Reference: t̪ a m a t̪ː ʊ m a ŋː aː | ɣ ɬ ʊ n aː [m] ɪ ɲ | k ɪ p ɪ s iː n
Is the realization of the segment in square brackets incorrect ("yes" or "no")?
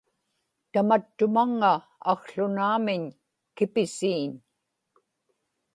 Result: no